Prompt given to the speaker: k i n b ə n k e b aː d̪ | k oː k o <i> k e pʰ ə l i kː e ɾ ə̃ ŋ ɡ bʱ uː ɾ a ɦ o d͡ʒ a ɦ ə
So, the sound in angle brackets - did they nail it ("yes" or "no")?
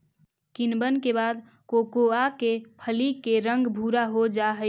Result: no